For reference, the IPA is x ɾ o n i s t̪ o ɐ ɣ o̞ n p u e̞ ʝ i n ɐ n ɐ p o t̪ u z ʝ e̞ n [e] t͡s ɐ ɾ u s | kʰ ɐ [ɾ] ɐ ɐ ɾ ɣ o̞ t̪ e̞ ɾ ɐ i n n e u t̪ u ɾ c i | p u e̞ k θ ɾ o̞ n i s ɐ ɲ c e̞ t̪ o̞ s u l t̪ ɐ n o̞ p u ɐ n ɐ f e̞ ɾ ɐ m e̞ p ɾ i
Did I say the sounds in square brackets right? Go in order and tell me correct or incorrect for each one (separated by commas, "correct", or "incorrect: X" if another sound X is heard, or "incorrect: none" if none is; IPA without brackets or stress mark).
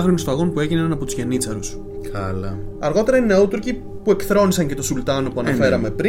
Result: incorrect: i, incorrect: l